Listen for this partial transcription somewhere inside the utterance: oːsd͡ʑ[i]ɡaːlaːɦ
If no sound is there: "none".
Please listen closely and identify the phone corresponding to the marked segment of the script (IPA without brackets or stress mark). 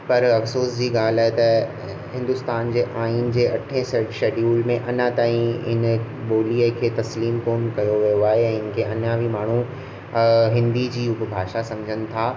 iː